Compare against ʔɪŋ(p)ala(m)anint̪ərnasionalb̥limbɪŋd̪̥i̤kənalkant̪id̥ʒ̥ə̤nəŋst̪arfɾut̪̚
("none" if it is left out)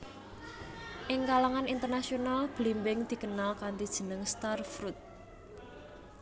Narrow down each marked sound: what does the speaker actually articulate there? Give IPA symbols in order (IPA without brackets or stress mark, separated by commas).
k, ŋ